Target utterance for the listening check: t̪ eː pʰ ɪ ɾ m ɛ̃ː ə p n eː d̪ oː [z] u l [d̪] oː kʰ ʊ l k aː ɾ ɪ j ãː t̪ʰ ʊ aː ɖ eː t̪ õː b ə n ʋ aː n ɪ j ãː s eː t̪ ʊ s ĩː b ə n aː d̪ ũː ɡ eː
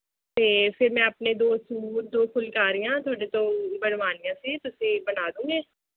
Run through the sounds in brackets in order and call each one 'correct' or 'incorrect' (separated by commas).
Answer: incorrect, correct